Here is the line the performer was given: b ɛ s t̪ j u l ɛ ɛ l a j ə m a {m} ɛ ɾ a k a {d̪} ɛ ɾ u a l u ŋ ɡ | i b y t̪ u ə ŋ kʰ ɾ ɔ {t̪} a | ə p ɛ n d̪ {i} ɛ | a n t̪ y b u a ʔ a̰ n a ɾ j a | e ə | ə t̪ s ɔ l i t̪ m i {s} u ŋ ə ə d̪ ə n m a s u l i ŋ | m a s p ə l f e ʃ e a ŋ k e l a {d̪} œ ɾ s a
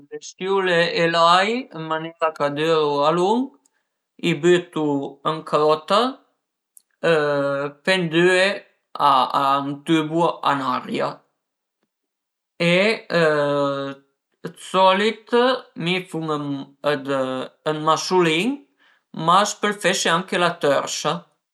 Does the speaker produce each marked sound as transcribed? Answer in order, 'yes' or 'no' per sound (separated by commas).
no, yes, yes, no, no, no